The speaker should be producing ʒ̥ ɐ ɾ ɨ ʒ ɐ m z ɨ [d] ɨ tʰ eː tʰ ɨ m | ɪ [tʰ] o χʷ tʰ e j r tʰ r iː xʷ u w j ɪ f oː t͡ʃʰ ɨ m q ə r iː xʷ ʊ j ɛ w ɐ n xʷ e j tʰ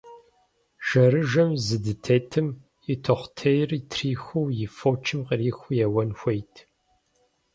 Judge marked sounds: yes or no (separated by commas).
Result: yes, yes